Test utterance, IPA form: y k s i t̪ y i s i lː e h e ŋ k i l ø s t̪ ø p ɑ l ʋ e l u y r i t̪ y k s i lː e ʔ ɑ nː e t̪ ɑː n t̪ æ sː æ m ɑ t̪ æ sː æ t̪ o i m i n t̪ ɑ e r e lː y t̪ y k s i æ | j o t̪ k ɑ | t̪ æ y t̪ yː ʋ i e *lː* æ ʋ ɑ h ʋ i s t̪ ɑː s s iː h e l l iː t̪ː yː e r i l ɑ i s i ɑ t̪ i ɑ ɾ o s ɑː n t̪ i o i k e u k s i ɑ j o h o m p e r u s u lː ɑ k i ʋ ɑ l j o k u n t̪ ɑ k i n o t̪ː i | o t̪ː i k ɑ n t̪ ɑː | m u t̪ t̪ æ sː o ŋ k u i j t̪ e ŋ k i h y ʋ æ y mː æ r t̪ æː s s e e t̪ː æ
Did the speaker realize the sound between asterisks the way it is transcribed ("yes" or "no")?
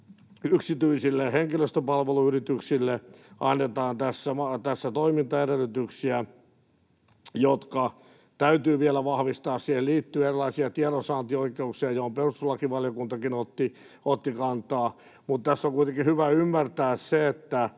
no